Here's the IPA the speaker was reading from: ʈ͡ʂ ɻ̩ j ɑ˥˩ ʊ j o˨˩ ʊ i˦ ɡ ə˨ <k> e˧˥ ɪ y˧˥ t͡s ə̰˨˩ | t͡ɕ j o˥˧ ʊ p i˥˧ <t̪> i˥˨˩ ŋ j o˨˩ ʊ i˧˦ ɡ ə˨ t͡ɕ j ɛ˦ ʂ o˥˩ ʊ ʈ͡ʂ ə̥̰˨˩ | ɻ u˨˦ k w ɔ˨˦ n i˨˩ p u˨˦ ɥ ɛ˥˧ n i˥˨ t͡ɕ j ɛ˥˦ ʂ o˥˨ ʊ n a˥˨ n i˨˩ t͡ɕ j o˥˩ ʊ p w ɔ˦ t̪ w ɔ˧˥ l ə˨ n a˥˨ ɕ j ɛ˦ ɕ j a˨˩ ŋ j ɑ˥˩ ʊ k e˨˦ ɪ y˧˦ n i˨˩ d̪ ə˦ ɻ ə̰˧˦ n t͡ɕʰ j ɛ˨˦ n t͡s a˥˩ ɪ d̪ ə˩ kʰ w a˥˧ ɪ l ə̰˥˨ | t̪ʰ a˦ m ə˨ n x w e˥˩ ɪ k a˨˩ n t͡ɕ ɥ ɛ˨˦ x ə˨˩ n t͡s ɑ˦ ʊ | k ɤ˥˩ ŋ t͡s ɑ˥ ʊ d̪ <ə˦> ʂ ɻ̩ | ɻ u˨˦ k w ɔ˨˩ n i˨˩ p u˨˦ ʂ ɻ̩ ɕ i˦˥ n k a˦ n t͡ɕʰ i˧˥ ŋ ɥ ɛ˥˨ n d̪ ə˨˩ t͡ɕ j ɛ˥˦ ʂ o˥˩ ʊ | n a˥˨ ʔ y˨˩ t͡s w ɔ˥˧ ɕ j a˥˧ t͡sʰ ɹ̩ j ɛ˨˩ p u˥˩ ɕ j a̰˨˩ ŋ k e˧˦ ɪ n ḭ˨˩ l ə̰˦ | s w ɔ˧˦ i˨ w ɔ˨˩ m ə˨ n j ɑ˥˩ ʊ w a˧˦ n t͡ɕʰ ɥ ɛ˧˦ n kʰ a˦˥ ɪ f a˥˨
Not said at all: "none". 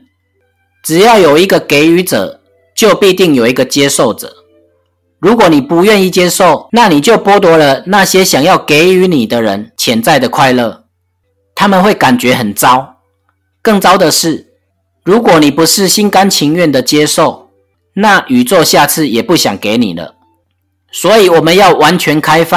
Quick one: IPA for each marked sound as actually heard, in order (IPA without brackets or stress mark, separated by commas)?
k, t̪, ə˨